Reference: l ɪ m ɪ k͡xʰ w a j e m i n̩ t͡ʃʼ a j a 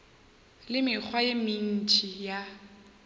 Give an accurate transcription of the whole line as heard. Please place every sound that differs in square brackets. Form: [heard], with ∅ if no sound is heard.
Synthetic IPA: l ɪ m ɪ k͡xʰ w a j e m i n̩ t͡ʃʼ [i] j a